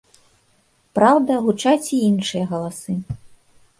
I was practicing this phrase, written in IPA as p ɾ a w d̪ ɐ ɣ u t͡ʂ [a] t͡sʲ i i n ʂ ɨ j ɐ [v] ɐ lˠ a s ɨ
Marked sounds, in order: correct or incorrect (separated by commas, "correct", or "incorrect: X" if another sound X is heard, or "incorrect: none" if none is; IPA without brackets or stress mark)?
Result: correct, incorrect: ɣ